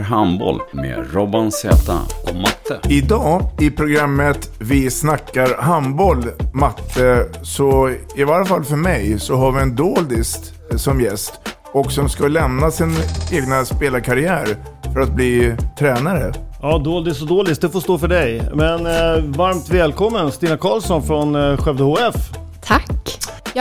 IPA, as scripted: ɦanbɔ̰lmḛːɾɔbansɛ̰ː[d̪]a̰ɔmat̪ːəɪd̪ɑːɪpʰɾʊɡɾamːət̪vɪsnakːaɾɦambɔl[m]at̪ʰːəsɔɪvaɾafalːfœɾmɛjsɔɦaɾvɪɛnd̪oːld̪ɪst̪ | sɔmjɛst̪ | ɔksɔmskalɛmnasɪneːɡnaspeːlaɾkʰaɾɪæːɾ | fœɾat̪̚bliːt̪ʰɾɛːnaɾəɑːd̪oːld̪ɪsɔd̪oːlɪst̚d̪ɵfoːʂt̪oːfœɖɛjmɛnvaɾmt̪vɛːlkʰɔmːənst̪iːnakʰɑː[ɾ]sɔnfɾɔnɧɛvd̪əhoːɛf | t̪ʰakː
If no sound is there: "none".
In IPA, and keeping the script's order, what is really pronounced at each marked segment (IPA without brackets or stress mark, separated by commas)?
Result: t̪, m, l